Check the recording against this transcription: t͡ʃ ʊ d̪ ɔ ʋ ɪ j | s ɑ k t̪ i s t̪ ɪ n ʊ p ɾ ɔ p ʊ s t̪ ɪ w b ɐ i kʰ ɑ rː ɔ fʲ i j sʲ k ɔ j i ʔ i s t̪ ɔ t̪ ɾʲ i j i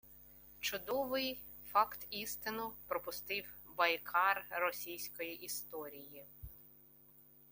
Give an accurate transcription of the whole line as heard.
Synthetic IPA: t͡ʃ ʊ d̪ ɔ ʋ ɪ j | f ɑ k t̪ i s t̪ ɪ n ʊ p ɾ ɔ p ʊ s t̪ ɪ w b ɐ j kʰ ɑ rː ɔ sʲ i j sʲ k ɔ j i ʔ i s t̪ ɔ ɾʲ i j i